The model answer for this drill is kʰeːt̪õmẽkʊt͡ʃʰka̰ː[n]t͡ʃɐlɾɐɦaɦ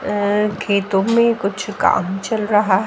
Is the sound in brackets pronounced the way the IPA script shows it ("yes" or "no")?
no